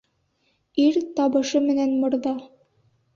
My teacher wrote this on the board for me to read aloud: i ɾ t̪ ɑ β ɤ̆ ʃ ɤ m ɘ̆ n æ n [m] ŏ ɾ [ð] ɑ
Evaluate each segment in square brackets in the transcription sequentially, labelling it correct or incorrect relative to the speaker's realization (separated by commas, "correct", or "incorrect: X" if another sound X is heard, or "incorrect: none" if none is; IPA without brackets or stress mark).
correct, correct